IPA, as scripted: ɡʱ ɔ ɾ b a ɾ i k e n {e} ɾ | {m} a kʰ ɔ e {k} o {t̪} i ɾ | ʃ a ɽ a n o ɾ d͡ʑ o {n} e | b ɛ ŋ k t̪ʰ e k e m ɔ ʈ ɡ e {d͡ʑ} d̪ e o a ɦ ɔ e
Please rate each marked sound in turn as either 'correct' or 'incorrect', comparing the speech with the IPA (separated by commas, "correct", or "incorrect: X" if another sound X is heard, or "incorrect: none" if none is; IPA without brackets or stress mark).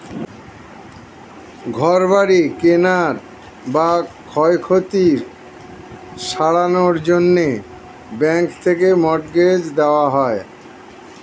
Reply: incorrect: a, incorrect: b, incorrect: kʰ, correct, incorrect: nː, correct